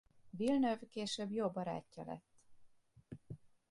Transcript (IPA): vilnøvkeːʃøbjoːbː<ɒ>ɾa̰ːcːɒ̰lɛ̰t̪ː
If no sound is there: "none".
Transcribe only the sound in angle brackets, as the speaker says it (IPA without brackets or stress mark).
ɒ